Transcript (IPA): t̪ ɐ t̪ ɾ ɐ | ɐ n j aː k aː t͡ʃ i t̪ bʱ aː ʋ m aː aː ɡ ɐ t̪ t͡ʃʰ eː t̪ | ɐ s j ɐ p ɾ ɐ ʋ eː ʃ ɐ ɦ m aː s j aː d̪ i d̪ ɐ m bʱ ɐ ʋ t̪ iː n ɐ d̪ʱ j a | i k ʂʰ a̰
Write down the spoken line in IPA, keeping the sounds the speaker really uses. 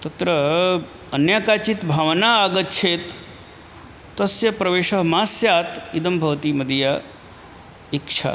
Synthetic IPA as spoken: t̪ ɐ t̪ ɾ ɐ | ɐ n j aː k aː t͡ʃ i t̪ bʱ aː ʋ n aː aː ɡ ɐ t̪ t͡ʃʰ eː t̪ | ɐ s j ɐ p ɾ ɐ ʋ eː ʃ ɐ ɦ m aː s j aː t̪ i d̪ ɐ m bʱ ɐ ʋ t̪ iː m ɐ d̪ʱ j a | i k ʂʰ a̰